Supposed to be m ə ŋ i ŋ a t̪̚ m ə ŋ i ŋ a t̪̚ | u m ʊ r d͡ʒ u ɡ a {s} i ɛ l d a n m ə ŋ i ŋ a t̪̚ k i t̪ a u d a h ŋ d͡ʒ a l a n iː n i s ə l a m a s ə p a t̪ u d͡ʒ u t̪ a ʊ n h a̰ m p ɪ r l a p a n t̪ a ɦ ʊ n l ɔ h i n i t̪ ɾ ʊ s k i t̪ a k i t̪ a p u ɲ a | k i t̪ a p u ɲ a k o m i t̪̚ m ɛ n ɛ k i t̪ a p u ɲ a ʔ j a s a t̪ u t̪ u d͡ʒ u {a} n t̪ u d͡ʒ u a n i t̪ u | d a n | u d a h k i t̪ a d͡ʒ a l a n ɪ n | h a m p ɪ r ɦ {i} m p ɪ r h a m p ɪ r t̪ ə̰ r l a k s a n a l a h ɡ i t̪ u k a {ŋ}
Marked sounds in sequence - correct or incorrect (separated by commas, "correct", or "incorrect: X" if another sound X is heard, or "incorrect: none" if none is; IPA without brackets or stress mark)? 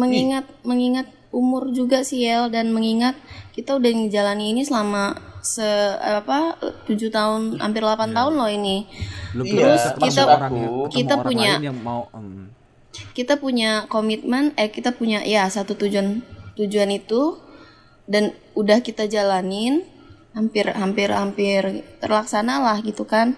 correct, correct, incorrect: a, incorrect: n